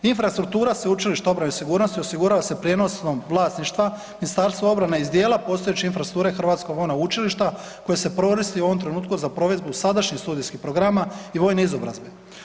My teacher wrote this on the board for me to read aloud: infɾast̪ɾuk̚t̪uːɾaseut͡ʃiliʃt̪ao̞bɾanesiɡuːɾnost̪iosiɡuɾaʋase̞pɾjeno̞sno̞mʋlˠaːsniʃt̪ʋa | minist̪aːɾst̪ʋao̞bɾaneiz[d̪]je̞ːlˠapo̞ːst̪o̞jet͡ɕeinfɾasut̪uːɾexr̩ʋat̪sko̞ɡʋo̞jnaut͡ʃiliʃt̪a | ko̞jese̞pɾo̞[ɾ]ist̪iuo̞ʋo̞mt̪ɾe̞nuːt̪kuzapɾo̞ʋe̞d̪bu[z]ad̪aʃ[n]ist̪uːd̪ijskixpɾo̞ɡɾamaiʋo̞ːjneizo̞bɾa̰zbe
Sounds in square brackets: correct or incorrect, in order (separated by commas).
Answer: correct, correct, incorrect, incorrect